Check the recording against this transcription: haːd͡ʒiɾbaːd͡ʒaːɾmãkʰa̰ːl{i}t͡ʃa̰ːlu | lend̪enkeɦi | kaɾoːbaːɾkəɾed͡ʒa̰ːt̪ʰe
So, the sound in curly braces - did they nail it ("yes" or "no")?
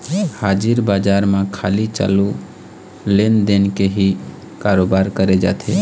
yes